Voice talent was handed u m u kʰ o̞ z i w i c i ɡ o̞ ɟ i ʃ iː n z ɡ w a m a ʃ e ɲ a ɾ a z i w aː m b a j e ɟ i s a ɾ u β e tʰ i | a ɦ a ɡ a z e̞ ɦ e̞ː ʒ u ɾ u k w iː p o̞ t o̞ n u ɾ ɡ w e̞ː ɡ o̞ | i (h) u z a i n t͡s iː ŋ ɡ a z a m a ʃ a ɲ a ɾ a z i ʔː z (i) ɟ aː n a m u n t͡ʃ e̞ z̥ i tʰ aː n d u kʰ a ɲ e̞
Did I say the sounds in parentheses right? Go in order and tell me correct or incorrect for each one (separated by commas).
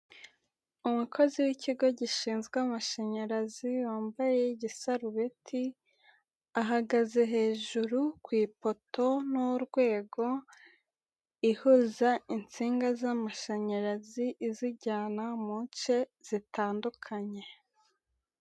correct, correct